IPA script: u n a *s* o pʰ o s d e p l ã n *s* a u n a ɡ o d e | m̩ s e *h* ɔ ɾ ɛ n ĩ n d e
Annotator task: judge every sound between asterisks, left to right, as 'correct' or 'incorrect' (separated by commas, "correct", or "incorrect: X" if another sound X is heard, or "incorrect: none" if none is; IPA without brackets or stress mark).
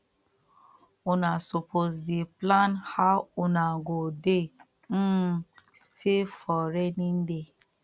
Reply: correct, incorrect: h, incorrect: f